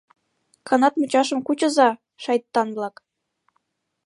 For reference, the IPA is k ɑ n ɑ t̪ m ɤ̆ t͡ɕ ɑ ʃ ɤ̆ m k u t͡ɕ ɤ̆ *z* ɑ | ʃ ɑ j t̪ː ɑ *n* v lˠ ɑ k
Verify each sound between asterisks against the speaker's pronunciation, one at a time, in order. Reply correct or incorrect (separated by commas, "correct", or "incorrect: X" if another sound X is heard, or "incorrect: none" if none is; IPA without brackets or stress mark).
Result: correct, correct